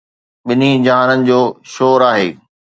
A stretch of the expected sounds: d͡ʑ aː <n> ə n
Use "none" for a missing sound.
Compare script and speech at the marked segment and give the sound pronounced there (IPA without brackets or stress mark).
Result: n